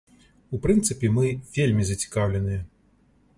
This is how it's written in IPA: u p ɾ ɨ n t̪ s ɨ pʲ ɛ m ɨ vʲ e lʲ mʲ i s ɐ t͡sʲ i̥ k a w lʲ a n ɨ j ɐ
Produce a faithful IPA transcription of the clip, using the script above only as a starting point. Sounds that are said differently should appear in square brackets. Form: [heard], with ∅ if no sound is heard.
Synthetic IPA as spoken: u p ɾ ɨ n t̪ s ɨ pʲ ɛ m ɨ vʲ e lʲ mʲ i [z] ɐ t͡sʲ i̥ k a w lʲ [ɛ] n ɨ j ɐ